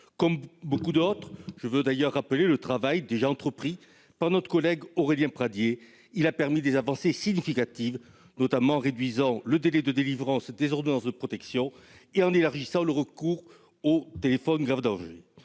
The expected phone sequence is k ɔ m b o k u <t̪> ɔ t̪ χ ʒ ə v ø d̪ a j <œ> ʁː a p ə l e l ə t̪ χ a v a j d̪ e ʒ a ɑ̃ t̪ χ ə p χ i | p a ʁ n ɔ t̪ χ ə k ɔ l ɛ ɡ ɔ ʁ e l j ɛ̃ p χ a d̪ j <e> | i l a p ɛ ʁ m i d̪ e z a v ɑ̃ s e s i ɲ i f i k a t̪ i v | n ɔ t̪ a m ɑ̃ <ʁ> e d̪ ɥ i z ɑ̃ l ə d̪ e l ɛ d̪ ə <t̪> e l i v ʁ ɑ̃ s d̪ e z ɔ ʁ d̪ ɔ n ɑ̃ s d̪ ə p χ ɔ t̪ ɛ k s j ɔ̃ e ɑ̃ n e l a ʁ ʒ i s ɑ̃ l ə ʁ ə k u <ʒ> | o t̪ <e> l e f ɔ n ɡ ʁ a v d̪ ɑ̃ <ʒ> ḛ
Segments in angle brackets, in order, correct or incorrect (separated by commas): incorrect, correct, correct, correct, incorrect, incorrect, correct, correct